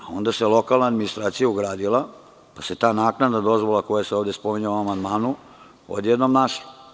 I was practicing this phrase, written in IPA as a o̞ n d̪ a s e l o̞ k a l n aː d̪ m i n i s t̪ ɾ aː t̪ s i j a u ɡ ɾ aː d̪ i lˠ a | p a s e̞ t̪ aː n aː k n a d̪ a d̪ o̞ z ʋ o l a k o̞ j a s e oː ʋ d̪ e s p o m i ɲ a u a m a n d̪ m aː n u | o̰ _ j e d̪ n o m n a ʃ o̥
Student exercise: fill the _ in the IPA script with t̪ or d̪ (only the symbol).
d̪